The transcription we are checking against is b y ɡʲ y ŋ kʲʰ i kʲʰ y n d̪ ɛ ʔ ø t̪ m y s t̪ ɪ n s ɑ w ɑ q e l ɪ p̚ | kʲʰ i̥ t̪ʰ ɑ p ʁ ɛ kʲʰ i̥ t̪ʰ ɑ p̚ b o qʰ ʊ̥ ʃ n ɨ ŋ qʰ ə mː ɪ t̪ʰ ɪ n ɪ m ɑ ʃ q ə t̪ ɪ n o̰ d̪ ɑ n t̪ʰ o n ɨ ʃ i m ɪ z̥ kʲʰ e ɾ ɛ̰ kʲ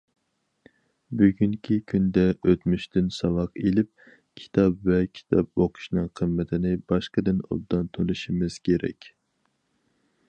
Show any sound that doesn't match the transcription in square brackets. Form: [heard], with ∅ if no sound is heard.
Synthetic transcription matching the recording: b y ɡʲ y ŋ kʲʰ i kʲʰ y n d̪ ɛ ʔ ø t̪ m y [ʃ] t̪ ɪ n s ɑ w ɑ q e l ɪ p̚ | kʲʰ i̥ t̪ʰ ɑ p [v] ɛ kʲʰ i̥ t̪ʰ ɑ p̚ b o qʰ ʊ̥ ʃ n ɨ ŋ qʰ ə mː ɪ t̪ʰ ɪ n ɪ [b] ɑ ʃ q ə [d̪] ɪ n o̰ d̪ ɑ n t̪ʰ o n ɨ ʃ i m ɪ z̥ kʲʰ e ɾ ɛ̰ kʲ